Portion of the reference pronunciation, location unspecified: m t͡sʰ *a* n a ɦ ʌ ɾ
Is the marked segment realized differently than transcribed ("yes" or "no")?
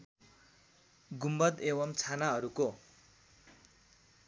no